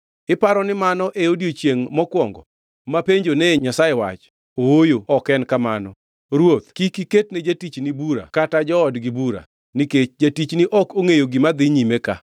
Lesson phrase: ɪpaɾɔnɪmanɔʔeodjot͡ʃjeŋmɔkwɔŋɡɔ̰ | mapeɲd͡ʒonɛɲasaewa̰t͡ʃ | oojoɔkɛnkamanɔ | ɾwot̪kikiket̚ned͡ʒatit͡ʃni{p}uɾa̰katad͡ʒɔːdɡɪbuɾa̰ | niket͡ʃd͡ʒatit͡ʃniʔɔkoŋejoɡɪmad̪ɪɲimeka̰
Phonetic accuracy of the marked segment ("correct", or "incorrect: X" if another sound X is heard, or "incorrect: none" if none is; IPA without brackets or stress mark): incorrect: b